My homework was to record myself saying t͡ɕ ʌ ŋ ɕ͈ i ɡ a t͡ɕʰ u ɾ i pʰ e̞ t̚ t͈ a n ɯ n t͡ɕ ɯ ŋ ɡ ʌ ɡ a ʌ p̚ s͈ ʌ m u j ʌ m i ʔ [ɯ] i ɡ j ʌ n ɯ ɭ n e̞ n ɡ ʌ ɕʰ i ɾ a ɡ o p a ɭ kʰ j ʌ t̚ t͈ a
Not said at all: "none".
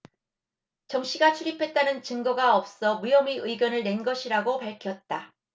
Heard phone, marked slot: ɯ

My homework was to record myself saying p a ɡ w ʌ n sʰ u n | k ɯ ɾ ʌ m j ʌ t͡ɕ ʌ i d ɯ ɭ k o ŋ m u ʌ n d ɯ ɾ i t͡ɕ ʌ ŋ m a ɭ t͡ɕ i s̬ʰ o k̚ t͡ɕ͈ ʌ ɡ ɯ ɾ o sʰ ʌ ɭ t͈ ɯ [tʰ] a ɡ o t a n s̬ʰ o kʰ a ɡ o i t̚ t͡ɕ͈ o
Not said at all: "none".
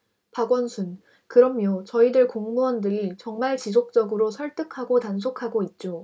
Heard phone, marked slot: kʰ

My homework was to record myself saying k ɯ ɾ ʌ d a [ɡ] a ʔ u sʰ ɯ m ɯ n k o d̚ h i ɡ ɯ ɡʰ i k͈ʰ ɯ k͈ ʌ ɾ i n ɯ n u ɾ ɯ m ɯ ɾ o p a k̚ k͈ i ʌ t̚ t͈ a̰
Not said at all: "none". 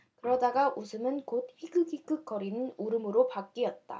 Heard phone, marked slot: ɡ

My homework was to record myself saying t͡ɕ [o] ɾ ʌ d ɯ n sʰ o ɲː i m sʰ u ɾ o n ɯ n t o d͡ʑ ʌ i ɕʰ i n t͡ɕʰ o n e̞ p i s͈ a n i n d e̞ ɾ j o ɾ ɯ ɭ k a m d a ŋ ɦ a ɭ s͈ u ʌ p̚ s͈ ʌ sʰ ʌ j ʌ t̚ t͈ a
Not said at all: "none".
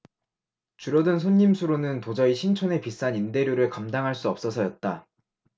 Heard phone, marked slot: u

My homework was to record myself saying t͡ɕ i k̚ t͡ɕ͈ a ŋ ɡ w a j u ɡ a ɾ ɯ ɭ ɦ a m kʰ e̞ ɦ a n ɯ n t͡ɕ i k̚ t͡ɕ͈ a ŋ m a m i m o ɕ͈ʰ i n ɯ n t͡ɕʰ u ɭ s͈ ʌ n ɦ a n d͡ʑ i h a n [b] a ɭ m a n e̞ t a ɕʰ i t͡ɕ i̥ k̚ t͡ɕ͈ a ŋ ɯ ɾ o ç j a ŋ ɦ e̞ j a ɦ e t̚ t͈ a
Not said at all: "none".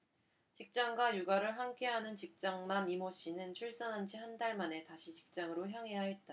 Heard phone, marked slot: d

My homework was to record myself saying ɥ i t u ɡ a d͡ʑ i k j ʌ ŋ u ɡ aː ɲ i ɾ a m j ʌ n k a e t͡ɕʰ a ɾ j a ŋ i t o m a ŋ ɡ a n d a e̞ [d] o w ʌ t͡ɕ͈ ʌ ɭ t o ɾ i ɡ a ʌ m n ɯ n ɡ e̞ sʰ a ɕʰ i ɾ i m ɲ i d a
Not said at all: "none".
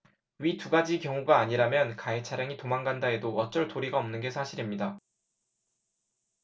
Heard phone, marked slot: d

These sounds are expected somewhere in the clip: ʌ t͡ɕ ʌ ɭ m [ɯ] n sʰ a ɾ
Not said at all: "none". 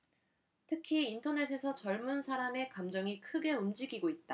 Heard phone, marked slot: u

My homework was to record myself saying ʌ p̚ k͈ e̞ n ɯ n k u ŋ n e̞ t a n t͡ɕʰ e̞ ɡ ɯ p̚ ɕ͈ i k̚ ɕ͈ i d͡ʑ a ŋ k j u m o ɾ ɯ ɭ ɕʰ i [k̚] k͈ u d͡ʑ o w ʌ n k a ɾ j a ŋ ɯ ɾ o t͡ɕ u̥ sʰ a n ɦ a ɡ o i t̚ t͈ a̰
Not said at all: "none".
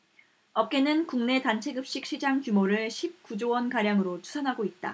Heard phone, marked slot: p̚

